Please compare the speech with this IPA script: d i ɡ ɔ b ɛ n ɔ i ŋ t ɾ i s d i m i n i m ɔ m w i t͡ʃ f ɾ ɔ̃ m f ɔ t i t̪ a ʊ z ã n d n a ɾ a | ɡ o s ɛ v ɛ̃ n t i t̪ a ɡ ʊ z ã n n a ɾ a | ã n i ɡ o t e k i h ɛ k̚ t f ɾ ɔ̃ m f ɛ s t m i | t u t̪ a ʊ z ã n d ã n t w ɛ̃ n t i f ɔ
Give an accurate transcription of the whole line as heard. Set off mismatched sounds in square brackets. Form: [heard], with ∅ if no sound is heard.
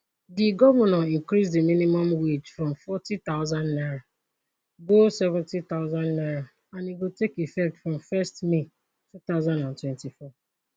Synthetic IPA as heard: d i ɡ ɔ [v] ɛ n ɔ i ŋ [k] ɾ i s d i m i n i m ɔ m w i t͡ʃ f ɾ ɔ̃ m f ɔ t i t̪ a ʊ z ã n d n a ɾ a | ɡ o s ɛ v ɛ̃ n t i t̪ a [∅] ʊ z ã n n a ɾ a | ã n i ɡ o t e k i [f] ɛ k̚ t f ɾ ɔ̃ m f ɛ s t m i | t u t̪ a ʊ z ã n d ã n t w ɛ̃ n t i f ɔ